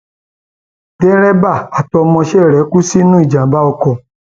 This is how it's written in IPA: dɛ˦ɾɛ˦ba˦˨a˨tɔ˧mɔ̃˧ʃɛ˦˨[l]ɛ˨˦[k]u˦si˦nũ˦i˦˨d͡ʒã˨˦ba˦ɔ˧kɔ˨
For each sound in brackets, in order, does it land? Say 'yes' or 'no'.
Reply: no, yes

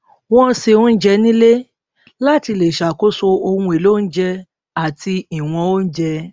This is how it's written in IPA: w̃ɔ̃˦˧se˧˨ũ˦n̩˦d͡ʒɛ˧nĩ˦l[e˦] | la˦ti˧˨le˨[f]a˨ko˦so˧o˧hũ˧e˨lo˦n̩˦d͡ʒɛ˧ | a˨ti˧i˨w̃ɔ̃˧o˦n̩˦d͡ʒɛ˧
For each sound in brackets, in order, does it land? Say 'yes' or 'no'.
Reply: yes, no

